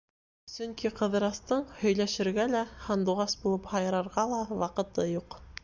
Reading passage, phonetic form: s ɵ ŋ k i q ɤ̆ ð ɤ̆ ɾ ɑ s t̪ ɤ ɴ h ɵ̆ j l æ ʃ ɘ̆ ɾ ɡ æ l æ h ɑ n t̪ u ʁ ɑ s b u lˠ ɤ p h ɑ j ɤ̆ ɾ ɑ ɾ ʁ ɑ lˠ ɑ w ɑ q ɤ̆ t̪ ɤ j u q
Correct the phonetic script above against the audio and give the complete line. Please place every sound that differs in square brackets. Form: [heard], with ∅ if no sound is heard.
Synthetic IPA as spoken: s ɵ ŋ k i q ɤ̆ ð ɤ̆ ɾ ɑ s t̪ ɤ ɴ h ɵ̆ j l æ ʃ ɘ̆ ɾ ɡ æ l æ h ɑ n [d̪] u ʁ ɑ s b u lˠ ɤ p h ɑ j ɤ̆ ɾ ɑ ɾ ʁ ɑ lˠ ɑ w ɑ q ɤ̆ t̪ ɤ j u q